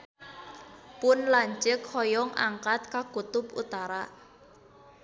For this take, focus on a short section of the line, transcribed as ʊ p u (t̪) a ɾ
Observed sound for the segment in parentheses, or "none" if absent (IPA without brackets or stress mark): t̪